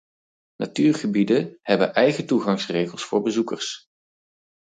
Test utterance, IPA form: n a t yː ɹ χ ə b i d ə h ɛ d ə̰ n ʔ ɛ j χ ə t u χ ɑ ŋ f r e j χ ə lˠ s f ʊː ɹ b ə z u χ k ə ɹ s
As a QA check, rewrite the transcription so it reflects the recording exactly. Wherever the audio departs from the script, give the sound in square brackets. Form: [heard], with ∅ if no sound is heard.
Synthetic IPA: n a t yː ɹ χ ə b i d ə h ɛ [b] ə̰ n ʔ ɛ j χ ə t u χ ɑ ŋ [s] r e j χ ə lˠ s f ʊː ɹ b ə z u [∅] k ə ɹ s